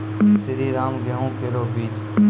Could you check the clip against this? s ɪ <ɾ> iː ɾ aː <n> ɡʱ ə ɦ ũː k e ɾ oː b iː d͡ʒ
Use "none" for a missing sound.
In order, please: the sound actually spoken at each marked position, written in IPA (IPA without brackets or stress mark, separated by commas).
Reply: ɾ, m